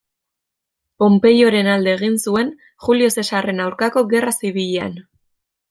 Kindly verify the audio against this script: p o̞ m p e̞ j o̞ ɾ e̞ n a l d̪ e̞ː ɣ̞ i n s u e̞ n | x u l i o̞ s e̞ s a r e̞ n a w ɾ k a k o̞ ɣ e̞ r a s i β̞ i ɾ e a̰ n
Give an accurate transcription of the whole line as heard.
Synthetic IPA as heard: p o̞ m p e̞ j o̞ ɾ e̞ n a l d̪ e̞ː ɣ̞ i n s u e̞ n | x u l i o̞ s e̞ s a r e̞ n a w ɾ k a k o̞ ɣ e̞ r a s i β̞ i ʎ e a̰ n